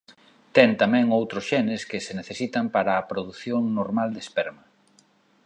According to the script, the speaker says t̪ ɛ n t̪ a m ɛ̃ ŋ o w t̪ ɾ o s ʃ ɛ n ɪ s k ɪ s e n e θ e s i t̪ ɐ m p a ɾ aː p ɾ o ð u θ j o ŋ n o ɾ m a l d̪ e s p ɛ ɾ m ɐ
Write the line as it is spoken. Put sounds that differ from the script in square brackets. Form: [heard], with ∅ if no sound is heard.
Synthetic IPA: t̪ ɛ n t̪ a m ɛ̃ ŋ o w t̪ ɾ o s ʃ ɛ n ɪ s k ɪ s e n e θ e s i t̪ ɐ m p a ɾ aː p ɾ o ð u θ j o ŋ n o ɾ m a l d̪ e s p ɛ ɾ m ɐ

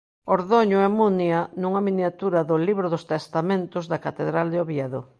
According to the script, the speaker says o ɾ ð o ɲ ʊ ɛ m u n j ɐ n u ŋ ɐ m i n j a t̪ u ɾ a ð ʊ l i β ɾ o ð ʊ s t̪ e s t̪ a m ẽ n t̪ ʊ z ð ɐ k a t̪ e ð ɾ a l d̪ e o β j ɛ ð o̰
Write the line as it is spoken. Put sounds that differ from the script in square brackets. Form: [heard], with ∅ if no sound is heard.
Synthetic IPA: o ɾ ð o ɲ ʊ ɛ m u n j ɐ n u ŋ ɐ m i n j a t̪ u ɾ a ð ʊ l i β ɾ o ð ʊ s t̪ e s t̪ a m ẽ n t̪ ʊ z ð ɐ k a t̪ e ð ɾ a l d̪ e o β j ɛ ð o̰

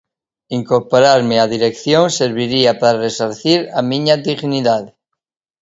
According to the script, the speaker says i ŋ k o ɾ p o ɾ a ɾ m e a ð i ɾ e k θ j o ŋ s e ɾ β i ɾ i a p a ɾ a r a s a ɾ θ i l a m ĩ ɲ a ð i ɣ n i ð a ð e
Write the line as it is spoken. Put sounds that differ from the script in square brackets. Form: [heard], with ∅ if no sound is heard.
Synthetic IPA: i ŋ k o ɾ p o ɾ a ɾ m e a ð i ɾ e k θ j o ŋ s e ɾ β i ɾ i a p a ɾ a r [e] s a ɾ θ i [ɾ] a m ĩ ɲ a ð i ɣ n i ð a ð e

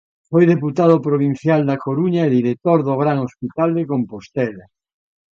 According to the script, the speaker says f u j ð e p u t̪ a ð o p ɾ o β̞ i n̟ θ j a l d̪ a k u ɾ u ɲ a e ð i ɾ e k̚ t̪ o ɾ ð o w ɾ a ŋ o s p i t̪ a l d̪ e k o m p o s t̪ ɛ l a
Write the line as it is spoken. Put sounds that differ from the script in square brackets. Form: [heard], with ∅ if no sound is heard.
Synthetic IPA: f [o] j ð e p u t̪ a ð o p ɾ o β̞ i n̟ θ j a l d̪ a k [o] ɾ u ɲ a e ð i ɾ e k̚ t̪ o ɾ ð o [ɣ] ɾ a ŋ o s p i t̪ a l d̪ e k o m p o s t̪ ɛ l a

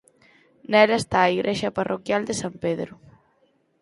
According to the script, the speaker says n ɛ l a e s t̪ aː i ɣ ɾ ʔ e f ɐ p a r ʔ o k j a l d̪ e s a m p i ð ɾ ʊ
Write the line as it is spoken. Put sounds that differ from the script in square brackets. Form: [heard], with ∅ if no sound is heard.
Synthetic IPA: n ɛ l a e s t̪ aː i ɣ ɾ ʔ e [ʃ] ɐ p a r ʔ o k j a l d̪ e s a m p [e] ð ɾ ʊ

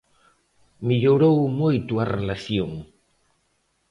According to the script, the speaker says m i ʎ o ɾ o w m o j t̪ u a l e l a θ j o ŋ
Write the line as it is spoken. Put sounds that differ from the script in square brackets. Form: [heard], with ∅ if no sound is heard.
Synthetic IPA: m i ʎ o ɾ o w m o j t̪ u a [r] e l a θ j o ŋ

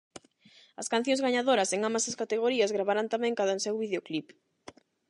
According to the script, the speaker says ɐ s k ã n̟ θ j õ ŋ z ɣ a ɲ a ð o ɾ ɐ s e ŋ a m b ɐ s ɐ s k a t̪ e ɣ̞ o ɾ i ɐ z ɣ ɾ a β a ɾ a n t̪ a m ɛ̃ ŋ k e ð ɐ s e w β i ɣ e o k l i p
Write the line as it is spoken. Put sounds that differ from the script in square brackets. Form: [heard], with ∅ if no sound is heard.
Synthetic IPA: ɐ s k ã n̟ θ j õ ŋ z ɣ a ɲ a ð o ɾ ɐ s e ŋ a m b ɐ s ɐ s k a t̪ e ɣ̞ o ɾ i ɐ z ɣ ɾ a β a ɾ a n t̪ a m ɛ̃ ŋ k [a] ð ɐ s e w β i [ð] e o k l i p

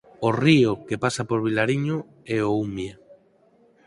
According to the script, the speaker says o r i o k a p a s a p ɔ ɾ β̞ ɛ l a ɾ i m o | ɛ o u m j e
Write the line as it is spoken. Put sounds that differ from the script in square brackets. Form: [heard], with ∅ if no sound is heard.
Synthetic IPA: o r i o k [e] p a s a p [o] ɾ β̞ [i] l a ɾ i [ɲ] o | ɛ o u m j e

